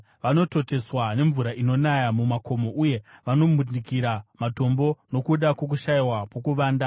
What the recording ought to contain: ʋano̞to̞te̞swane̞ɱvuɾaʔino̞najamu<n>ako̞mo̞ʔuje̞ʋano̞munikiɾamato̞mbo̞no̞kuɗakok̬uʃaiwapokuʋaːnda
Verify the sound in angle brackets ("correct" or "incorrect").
incorrect